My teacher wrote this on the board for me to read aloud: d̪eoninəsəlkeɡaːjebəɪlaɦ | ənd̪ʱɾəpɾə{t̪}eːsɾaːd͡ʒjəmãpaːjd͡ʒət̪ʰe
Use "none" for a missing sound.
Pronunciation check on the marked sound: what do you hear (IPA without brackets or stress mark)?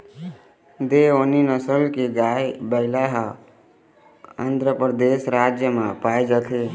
d̪